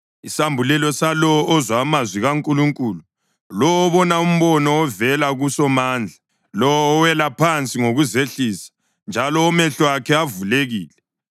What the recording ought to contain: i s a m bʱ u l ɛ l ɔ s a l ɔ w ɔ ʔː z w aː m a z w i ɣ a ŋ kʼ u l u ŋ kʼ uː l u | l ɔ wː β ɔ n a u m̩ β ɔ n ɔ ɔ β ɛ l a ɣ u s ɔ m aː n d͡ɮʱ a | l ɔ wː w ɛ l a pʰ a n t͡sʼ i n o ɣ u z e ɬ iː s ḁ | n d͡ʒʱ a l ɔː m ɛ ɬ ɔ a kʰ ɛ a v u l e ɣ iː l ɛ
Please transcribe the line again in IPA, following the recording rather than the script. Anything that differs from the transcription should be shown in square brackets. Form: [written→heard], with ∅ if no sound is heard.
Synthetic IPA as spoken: i s a m bʱ u l ɛ l ɔ s a l ɔ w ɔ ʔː z w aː m a z w i ɣ a ŋ kʼ u l u ŋ kʼ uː l u | l ɔ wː β ɔ n a u m̩ β ɔ n ɔ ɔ [β→v] ɛ l a ɣ u s ɔ m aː n d͡ɮʱ a | l ɔ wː w ɛ l a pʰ a n t͡sʼ i [n→ŋ] o ɣ u z e ɬ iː s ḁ | n d͡ʒʱ a l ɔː m ɛ ɬ ɔ a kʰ ɛ a v u l e ɣ iː l ɛ

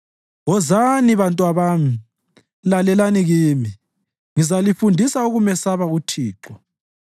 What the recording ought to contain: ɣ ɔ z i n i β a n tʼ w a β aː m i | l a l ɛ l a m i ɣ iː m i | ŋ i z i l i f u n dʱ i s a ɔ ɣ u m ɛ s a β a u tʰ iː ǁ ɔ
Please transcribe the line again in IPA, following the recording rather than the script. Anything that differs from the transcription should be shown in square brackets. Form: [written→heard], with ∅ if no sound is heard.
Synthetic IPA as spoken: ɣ ɔ z [i→a] n i β a n tʼ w a β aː m i | l a l ɛ l a [m→n] i ɣ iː m i | ŋ i z [i→a] l i f u n dʱ i s a [ɔ→u] ɣ u m ɛ s a β a u tʰ iː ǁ ɔ

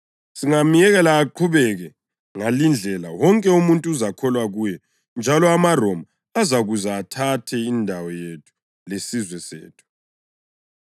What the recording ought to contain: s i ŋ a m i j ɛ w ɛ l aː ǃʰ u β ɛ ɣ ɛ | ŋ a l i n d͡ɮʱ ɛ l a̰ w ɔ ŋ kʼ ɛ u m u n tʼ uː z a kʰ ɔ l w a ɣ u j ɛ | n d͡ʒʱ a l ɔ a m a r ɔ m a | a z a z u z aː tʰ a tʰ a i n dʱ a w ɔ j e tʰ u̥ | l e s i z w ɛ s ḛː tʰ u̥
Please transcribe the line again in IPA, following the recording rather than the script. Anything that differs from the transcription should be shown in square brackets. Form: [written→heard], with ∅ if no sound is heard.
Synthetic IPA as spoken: s i ŋ a m i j ɛ [w→ɣ] ɛ l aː ǃʰ u β ɛ ɣ ɛ | ŋ a l i n d͡ɮʱ ɛ l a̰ w ɔ ŋ kʼ ɛ u m u n tʼ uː z a kʰ ɔ l w a ɣ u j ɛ | n d͡ʒʱ a l ɔ a m a r ɔ m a | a z a [z→ɣ] u z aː tʰ a tʰ [a→ɛ] i n dʱ a w ɔ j e tʰ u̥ | l e s i z w ɛ s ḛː tʰ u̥

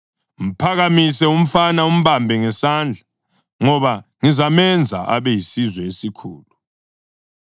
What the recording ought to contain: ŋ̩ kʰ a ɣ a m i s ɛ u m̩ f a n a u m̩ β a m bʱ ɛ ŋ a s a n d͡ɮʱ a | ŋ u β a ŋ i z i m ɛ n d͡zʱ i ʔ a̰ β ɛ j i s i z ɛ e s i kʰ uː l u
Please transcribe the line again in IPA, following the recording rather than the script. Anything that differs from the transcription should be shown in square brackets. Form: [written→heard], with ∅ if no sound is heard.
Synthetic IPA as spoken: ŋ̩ [kʰ→pʰ] a ɣ a m i s ɛ u m̩ f a n a u m̩ β a m bʱ ɛ ŋ [a→ɛ] s a n d͡ɮʱ a | ŋ [u→ɔ] β a ŋ i z [i→a] m ɛ n d͡zʱ [i→a] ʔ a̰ β ɛ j i s i z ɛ e s i kʰ uː l u

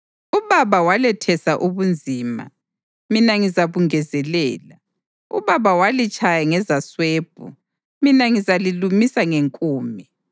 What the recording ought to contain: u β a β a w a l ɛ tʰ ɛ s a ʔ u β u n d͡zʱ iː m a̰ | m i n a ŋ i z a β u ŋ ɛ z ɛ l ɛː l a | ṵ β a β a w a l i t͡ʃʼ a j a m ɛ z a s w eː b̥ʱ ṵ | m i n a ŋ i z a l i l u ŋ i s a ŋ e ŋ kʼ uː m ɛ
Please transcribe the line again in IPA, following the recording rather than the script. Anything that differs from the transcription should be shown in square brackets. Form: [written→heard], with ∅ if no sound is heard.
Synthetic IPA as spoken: u β a β a w a l ɛ tʰ ɛ s a ʔ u β u n d͡zʱ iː m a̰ | m i n a ŋ i z a β u ŋ ɛ z ɛ l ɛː l a | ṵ β a β a w a l i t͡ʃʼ a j a [m→ŋ] ɛ z a s w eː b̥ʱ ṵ | m i n a ŋ i z a l i l u [ŋ→m] i s a ŋ e ŋ kʼ uː m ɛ

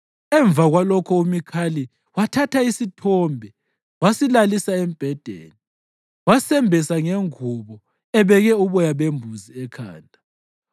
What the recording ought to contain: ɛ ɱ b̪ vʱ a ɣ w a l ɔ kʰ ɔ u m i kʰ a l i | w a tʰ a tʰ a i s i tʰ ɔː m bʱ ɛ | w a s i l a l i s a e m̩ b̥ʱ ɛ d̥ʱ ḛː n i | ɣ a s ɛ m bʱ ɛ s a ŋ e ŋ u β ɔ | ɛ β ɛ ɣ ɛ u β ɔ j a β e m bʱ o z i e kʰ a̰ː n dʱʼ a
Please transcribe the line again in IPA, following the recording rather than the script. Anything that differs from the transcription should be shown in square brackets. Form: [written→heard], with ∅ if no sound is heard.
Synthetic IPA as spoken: ɛ ɱ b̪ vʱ a ɣ w a l ɔ kʰ ɔ u m i kʰ a l i | w a tʰ a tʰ a i s i tʰ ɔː m bʱ ɛ | w a s i l a l i s a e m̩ b̥ʱ ɛ d̥ʱ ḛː n i | [ɣ→w] a s ɛ m bʱ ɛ s a ŋ e ŋ u β ɔ | ɛ β ɛ ɣ ɛ u β ɔ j a β e m bʱ [o→u] z i [e→ɛ] kʰ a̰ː n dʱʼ a

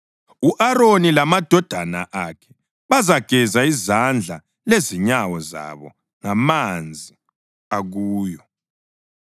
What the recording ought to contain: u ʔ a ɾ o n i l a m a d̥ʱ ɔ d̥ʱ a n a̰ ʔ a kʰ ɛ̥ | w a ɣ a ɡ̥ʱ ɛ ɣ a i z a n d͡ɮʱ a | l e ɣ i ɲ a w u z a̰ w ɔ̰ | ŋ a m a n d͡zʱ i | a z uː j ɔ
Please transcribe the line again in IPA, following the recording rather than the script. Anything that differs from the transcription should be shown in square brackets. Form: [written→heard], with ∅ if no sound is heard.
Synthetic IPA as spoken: u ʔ a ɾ o n i l a m a d̥ʱ ɔ d̥ʱ a n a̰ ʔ a kʰ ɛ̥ | [w→β] a [ɣ→z] a ɡ̥ʱ ɛ [ɣ→z] a i z a n d͡ɮʱ a | l e [ɣ→z] i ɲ a w [u→ɔ] z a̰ [w→β] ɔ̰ | ŋ a m a n d͡zʱ i | a [z→ɣ] uː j ɔ

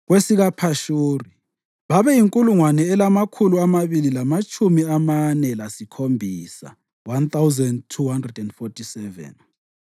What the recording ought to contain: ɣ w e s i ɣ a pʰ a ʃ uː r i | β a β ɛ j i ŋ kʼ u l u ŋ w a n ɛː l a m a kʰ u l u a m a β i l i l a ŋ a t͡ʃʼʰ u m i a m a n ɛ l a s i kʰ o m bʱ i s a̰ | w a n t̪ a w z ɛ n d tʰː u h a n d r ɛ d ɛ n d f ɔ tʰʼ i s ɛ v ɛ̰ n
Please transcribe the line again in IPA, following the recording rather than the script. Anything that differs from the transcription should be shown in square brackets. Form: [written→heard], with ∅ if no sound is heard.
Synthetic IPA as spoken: ɣ w e s i ɣ a pʰ a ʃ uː r i | β a β ɛ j i ŋ kʼ u l u ŋ w a n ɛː l a m a kʰ u l u a m a β i l i l a [ŋ→m] a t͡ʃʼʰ u m i a m a n ɛ l a s i kʰ o m bʱ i s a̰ | w a n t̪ a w z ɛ n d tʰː u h a n d r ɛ d ɛ n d f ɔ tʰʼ i s ɛ v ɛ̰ n

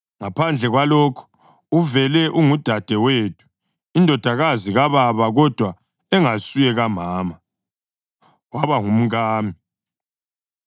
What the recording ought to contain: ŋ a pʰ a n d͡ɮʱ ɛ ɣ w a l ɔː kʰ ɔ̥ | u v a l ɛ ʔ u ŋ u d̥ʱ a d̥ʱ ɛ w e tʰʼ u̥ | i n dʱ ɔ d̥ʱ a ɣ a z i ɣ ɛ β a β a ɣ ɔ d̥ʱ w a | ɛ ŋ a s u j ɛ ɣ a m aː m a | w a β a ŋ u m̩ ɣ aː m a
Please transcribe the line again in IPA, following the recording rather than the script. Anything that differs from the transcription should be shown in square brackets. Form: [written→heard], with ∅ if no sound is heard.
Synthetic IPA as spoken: ŋ a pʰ a n d͡ɮʱ ɛ ɣ w a l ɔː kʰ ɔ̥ | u v [a→ɛ] l ɛ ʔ u ŋ u d̥ʱ a d̥ʱ ɛ w e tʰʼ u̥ | i n dʱ ɔ d̥ʱ a ɣ a z i ɣ [ɛ→a] β a β a ɣ ɔ d̥ʱ w a | ɛ ŋ a s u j ɛ ɣ a m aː m a | w a β a ŋ u m̩ ɣ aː m [a→i]

